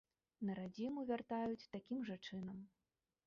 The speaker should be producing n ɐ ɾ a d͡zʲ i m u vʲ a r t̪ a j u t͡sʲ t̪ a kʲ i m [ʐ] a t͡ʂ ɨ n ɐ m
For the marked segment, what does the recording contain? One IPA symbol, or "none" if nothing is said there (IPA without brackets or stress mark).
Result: ʐ